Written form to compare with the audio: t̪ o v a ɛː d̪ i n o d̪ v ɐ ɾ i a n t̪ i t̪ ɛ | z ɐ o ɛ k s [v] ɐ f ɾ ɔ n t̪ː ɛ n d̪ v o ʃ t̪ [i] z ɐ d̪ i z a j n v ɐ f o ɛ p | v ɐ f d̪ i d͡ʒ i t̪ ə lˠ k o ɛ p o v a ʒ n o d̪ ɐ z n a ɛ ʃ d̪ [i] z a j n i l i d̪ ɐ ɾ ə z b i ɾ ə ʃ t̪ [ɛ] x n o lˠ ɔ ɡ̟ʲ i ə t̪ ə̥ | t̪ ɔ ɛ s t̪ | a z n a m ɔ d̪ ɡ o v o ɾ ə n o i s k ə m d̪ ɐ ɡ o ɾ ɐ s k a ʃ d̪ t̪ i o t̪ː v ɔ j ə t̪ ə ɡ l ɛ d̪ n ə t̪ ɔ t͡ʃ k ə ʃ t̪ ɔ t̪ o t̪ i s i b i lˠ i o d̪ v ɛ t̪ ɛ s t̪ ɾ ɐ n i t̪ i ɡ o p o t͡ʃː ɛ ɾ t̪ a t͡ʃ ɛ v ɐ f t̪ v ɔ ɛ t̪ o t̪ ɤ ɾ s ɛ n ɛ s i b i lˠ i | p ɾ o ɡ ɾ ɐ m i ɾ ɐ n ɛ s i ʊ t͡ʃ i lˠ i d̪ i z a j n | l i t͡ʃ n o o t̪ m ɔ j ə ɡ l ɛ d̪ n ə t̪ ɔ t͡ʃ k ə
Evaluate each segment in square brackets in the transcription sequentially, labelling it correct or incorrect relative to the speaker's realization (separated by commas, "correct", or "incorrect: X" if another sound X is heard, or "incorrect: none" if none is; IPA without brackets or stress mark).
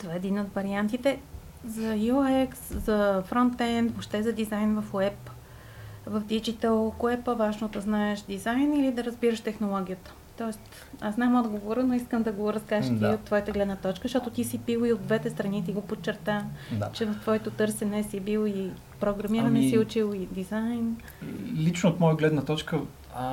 incorrect: z, incorrect: ɛ, correct, correct